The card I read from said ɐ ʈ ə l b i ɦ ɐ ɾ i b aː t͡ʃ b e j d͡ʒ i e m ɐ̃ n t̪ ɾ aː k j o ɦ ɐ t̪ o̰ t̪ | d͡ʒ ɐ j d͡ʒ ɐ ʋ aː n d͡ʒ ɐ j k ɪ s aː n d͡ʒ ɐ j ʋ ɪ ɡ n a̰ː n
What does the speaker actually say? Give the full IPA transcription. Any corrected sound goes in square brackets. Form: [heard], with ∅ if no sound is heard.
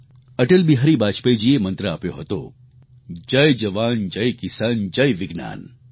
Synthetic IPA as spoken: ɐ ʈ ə l b i ɦ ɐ ɾ i b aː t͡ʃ [p] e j d͡ʒ i e m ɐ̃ n t̪ ɾ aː [p] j o ɦ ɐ t̪ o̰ [∅] | d͡ʒ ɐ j d͡ʒ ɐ ʋ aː n d͡ʒ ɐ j k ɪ s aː n d͡ʒ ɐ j ʋ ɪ ɡ n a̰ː n

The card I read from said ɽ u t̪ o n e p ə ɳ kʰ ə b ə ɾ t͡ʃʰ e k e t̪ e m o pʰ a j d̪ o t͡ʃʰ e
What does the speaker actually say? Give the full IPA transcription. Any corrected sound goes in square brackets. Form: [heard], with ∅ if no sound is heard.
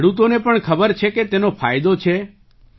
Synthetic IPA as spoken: ɽ u t̪ o n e p ə ɳ kʰ ə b ə ɾ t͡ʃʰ e k e t̪ e [n] o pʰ a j d̪ o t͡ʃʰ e

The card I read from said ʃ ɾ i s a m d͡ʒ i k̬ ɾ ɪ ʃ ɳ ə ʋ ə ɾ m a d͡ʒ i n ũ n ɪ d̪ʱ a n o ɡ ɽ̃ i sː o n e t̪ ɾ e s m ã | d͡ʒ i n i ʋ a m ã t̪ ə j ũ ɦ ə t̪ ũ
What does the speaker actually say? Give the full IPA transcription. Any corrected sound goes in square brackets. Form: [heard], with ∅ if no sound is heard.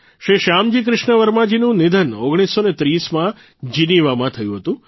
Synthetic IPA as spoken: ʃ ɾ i [ʃ] a m d͡ʒ i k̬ ɾ ɪ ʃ ɳ ə ʋ ə ɾ m a d͡ʒ i n ũ n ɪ d̪ʱ [ə] n o ɡ ɽ̃ i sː o n e t̪ ɾ [i] s m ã | d͡ʒ i n i ʋ a m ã [t̪ʰ] ə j ũ ɦ ə t̪ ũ

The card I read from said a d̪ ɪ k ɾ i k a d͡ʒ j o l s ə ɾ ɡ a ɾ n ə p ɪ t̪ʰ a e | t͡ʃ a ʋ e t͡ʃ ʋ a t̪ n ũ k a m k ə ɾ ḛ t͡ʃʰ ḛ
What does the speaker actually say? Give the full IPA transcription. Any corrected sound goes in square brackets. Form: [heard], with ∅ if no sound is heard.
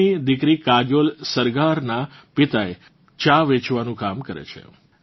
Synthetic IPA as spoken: [i] d̪ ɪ k ɾ i k a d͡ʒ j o l s ə ɾ ɡ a ɾ n [a] p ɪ [t̪] a e | t͡ʃ a ʋ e t͡ʃ ʋ a [∅] n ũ k a m k ə ɾ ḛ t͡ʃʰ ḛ

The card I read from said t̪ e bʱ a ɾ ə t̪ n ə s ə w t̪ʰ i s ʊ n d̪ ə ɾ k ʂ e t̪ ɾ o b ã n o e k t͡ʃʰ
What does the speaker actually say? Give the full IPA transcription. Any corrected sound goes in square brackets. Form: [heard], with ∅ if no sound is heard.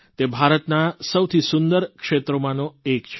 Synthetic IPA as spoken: t̪ e bʱ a ɾ ə t̪ n [a] s ə w t̪ʰ i s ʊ n d̪ ə ɾ k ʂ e t̪ ɾ o [m] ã n o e k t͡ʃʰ

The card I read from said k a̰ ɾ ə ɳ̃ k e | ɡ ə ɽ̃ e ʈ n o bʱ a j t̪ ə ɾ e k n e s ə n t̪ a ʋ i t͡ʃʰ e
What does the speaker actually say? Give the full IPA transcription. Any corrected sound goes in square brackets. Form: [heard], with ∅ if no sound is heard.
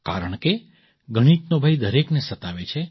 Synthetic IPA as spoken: k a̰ ɾ ə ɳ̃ k e | ɡ ə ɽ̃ [i] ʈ n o bʱ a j [d̪] ə ɾ e k n e s ə [∅] t̪ a ʋ [e] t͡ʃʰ e

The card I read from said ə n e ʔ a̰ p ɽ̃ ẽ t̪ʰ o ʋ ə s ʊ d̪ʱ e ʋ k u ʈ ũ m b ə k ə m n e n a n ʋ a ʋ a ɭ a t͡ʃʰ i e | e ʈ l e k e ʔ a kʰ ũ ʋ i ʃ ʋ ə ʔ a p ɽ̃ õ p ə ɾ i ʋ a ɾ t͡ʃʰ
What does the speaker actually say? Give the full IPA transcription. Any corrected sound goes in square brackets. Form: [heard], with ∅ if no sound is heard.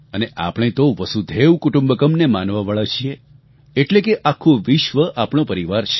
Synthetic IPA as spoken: ə n e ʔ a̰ p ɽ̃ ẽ [t̪] o ʋ ə s [u] d̪ʱ e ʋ k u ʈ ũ m b ə k ə m n e [m] a n ʋ a ʋ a ɭ a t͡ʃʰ i e | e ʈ l e k e ʔ a kʰ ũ ʋ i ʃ ʋ ə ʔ a p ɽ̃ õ p ə ɾ i ʋ a ɾ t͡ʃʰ

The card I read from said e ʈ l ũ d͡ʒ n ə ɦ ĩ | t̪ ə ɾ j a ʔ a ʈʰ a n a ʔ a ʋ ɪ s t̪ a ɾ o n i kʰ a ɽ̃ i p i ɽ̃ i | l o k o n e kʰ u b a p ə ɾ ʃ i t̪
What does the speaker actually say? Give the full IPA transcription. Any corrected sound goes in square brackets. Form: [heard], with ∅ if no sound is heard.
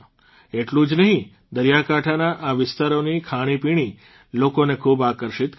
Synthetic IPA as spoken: e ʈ l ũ d͡ʒ n ə ɦ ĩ | [d̪] ə ɾ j a [k] a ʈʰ a n a ʔ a ʋ ɪ s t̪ a ɾ o n i kʰ a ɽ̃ i p i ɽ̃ i | l o k o n e kʰ u b a [k] ə ɾ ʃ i t̪

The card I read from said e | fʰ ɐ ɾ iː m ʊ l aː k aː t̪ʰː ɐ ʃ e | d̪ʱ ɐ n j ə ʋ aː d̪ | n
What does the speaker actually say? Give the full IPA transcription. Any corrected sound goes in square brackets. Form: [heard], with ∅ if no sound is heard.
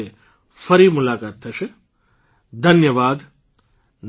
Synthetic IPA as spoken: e | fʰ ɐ ɾ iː m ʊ l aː k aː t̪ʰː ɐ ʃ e | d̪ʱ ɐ n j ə ʋ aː d̪ | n

